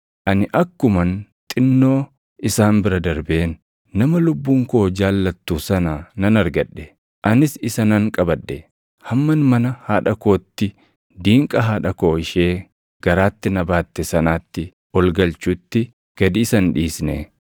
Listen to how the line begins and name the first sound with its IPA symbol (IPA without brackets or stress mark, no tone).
ʔ